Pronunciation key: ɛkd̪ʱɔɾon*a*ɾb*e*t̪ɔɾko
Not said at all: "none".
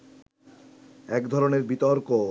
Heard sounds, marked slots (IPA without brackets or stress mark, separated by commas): e, i